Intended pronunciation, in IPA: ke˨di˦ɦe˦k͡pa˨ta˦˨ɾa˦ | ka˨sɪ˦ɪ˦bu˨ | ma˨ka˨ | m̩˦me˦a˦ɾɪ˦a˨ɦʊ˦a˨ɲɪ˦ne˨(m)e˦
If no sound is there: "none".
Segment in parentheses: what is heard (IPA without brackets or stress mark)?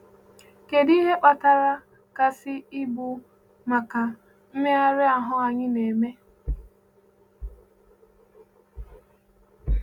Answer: m